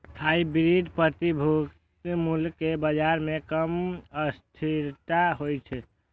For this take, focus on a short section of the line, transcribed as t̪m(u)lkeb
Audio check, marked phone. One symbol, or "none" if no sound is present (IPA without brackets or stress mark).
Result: u